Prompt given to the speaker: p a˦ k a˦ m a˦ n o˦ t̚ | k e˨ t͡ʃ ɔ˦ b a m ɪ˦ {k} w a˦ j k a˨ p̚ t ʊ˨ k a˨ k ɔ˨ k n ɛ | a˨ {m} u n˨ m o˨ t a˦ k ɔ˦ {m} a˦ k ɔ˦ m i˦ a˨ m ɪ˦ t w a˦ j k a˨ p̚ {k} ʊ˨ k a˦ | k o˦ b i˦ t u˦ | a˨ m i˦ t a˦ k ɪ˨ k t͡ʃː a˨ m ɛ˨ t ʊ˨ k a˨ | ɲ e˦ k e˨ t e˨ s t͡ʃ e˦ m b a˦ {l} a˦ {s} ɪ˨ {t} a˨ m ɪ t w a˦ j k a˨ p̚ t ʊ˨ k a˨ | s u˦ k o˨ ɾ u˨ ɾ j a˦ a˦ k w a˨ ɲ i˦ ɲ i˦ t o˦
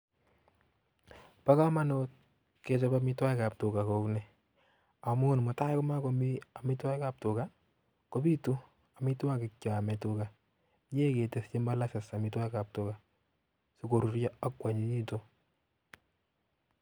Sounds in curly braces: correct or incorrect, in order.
incorrect: t, correct, correct, incorrect: t, correct, correct, incorrect: s

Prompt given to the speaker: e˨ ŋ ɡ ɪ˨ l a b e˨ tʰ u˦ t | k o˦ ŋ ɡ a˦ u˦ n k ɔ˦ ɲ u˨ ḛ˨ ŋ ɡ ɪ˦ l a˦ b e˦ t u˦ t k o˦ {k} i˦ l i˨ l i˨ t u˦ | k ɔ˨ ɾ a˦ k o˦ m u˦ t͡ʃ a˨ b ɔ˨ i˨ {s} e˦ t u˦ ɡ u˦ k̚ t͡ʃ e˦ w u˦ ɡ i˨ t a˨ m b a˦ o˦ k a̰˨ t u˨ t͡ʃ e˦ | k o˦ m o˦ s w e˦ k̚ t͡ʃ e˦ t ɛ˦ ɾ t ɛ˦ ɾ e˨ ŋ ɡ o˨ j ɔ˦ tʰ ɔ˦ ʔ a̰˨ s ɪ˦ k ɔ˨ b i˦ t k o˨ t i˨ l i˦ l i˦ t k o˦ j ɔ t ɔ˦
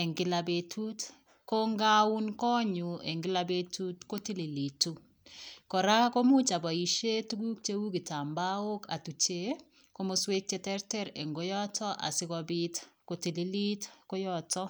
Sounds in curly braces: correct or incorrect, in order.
incorrect: t, incorrect: ʃ

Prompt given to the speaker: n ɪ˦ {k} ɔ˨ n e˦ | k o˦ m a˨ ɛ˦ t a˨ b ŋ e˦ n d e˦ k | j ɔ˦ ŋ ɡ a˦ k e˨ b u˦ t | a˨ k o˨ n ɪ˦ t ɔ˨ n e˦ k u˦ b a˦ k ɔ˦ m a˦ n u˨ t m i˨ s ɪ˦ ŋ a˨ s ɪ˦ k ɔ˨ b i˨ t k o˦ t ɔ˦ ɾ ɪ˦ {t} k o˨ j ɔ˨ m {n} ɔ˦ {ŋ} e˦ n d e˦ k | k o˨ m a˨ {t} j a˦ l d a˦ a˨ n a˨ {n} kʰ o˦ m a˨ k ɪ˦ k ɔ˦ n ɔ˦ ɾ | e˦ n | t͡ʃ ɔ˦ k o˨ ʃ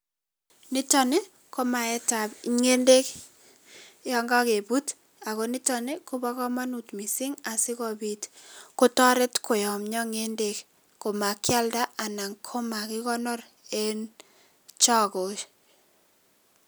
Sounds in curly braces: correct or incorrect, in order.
incorrect: t, correct, incorrect: ɲ, correct, incorrect: k, incorrect: ŋ

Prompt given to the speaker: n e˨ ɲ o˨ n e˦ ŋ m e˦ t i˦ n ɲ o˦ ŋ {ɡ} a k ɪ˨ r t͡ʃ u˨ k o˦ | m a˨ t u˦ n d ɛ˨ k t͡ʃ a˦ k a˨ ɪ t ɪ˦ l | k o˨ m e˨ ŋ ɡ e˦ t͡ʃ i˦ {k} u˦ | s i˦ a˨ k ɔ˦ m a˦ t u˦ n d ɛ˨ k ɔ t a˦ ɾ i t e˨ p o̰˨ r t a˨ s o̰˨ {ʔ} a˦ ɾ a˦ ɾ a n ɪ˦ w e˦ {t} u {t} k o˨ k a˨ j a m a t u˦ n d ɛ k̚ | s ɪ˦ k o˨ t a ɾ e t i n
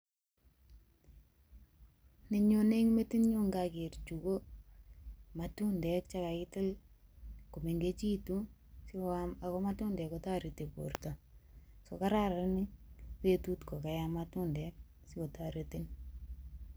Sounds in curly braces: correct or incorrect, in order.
correct, incorrect: t, incorrect: k, correct, correct

